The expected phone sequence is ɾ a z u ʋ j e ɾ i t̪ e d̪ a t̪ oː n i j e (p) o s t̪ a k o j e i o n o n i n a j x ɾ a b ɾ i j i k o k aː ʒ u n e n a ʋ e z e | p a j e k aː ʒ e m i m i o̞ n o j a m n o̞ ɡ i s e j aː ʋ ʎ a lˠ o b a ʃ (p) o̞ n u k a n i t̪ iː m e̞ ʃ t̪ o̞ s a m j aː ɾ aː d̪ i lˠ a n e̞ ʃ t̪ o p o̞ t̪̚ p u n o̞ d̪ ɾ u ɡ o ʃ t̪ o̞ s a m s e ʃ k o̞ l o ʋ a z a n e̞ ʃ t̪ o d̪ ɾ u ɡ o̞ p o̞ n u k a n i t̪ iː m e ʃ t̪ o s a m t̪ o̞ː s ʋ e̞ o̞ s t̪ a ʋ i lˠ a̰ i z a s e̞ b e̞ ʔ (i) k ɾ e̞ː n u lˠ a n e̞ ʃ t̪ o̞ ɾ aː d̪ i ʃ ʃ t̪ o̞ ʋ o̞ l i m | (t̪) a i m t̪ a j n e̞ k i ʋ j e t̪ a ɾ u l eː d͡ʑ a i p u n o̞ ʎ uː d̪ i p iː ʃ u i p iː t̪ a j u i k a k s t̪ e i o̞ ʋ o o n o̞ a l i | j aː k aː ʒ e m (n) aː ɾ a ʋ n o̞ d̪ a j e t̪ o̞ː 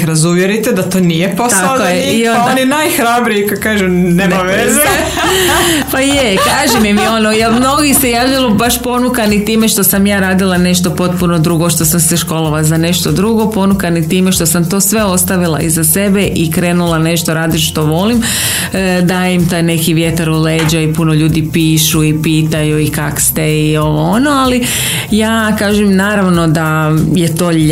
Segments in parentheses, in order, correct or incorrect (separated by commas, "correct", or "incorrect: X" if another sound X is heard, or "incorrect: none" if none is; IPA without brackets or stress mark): correct, correct, correct, incorrect: d̪, correct